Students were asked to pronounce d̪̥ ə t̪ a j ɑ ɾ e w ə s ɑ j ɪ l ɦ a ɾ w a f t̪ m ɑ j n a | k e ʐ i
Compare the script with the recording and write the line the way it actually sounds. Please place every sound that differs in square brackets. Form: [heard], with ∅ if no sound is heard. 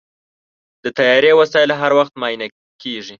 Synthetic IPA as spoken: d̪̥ ə t̪ a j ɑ ɾ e w [a] s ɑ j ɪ l ɦ a ɾ w a [x] t̪ m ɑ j n a | k e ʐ i